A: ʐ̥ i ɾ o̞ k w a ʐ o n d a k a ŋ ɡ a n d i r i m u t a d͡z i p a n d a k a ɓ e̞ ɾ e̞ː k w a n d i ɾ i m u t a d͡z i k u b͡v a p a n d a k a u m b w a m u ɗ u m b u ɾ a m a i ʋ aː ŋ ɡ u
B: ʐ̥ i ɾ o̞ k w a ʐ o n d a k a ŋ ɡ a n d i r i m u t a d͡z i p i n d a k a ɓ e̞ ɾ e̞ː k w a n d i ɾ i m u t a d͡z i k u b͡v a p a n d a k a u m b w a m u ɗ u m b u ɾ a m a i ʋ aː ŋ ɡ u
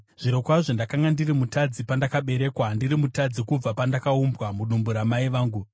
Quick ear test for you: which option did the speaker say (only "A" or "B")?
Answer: A